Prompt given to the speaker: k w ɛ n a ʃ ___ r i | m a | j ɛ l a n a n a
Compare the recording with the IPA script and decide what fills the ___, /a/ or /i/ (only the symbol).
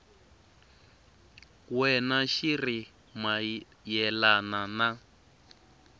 i